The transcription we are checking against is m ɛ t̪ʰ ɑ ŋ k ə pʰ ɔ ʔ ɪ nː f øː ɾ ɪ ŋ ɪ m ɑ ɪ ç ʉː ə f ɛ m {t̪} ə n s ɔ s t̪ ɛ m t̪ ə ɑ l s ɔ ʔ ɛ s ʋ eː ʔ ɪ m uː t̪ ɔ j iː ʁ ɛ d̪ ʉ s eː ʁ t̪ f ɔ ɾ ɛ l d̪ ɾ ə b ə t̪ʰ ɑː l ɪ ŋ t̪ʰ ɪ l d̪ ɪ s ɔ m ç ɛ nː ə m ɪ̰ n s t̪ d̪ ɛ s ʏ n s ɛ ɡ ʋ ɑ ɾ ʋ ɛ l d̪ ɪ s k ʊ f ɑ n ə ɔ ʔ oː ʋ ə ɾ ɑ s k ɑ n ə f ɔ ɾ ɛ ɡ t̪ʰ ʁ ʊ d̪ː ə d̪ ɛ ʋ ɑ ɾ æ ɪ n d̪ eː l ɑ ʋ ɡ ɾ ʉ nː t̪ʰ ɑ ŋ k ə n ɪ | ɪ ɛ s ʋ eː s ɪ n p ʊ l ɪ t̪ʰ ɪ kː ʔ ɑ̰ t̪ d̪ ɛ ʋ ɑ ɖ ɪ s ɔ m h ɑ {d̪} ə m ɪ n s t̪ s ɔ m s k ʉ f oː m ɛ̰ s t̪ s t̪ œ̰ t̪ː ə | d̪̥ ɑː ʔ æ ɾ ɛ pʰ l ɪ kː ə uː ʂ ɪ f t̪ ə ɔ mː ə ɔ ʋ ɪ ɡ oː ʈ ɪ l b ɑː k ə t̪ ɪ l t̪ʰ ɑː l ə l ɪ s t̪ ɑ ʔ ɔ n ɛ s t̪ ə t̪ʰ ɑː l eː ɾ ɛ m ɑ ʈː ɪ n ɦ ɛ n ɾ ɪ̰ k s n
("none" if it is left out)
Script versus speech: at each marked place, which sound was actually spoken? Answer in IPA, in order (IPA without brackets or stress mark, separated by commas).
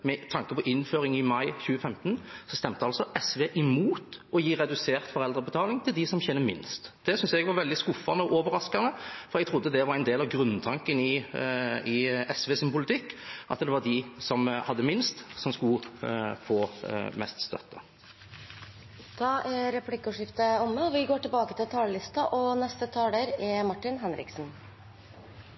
t̪, d̪ː